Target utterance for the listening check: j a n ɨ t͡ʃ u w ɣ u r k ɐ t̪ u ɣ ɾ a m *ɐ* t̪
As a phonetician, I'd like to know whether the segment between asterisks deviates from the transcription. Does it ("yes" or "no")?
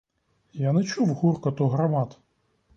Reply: yes